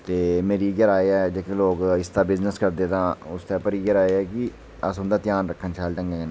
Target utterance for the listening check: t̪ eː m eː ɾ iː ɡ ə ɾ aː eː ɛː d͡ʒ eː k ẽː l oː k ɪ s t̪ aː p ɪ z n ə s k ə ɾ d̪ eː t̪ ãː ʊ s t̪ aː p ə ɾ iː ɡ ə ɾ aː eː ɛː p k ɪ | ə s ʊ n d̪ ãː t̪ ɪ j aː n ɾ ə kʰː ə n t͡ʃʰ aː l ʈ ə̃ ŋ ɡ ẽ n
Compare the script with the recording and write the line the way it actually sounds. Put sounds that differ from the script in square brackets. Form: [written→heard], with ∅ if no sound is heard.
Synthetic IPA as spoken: t̪ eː m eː ɾ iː ɡ ə ɾ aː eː ɛː d͡ʒ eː k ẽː l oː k ɪ s t̪ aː [p→b] ɪ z n ə s k ə ɾ d̪ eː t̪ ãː ʊ s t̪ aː p ə ɾ iː ɡ ə ɾ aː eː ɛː [p→∅] k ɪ | ə s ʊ n d̪ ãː t̪ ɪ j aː n ɾ ə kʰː ə n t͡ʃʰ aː l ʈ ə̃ ŋ ɡ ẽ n

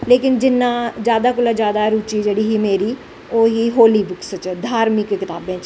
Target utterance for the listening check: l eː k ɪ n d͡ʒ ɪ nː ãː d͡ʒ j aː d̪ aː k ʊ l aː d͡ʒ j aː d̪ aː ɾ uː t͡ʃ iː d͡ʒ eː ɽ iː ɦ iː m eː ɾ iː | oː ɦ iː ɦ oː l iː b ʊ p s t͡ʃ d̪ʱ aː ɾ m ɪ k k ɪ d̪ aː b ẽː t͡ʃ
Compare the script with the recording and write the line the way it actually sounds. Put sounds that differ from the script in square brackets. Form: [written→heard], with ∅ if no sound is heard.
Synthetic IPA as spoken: l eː k ɪ n d͡ʒ ɪ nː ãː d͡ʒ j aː d̪ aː k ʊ l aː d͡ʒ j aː d̪ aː ɾ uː t͡ʃ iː d͡ʒ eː ɽ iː ɦ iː m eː ɾ iː | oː ɦ iː ɦ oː l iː b ʊ [p→k] s t͡ʃ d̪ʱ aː ɾ m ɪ k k ɪ [d̪→t̪] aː b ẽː t͡ʃ

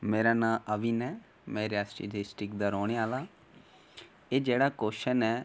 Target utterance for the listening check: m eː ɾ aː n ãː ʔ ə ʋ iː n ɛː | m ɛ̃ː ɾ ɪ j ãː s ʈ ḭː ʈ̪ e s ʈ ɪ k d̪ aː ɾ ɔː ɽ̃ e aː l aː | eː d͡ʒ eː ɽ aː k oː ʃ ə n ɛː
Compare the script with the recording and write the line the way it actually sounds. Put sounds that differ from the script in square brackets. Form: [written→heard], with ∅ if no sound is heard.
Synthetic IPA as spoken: m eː ɾ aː n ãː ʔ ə ʋ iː n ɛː | m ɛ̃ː ɾ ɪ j [ãː→aː] s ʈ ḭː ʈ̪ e s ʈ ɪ k d̪ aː ɾ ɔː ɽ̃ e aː l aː | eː d͡ʒ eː ɽ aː k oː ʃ ə n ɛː

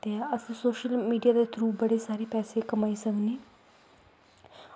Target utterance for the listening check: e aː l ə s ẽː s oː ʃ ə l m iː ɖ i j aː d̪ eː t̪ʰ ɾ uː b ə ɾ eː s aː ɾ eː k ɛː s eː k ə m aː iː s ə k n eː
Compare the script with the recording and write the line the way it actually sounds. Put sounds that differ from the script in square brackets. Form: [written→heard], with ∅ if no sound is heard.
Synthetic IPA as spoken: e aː [l→∅] ə s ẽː s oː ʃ ə l m iː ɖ i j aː d̪ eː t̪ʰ ɾ uː b ə [ɾ→ɽ] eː s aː ɾ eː [k→p] ɛː s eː k ə m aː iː s ə k n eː

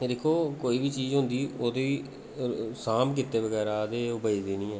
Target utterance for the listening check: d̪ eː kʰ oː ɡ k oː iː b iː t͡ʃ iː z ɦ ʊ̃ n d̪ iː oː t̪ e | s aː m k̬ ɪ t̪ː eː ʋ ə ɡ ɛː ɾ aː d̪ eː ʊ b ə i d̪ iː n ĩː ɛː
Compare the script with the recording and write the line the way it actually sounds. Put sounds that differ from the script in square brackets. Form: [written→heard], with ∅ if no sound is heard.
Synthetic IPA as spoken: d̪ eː kʰ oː [ɡ→∅] k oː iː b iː t͡ʃ iː z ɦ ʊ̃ n d̪ iː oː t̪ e | s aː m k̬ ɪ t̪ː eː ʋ ə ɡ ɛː ɾ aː d̪ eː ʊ b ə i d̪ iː n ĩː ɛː

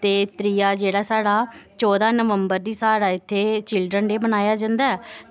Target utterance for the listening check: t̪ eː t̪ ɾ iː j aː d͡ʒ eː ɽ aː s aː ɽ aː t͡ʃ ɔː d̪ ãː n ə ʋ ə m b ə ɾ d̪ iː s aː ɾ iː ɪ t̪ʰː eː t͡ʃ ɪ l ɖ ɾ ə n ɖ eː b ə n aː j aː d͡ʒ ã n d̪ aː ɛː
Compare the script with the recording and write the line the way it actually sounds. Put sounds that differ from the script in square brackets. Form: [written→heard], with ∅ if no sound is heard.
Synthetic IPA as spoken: t̪ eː t̪ ɾ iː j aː d͡ʒ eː ɽ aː s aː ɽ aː t͡ʃ ɔː d̪ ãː n ə ʋ ə m b ə ɾ d̪ iː s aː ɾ [iː→aː] ɪ t̪ʰː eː t͡ʃ ɪ l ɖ ɾ ə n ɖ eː b ə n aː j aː d͡ʒ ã n d̪ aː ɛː

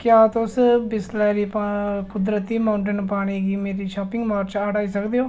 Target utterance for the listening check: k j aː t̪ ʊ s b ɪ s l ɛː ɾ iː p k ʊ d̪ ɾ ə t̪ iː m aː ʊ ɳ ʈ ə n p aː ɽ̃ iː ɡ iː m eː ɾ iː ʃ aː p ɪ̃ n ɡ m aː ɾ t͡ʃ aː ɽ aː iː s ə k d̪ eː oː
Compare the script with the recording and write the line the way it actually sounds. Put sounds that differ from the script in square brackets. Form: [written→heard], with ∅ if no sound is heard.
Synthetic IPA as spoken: k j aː t̪ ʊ s b ɪ s l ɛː ɾ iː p k ʊ d̪ ɾ ə t̪ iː m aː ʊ ɳ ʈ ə n p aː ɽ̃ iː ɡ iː m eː ɾ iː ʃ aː p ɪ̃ [n→ŋ] ɡ m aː ɾ t͡ʃ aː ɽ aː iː s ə k d̪ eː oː

